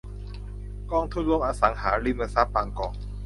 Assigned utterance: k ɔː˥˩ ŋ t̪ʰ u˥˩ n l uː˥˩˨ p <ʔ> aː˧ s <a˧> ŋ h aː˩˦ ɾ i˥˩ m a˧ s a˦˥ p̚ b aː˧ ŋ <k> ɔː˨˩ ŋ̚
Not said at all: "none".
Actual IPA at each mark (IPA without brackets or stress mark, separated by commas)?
ʔ, a˩˦, k